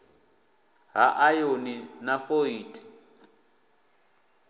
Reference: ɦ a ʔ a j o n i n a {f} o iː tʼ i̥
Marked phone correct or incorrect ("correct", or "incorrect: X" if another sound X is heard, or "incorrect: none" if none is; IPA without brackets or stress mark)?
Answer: correct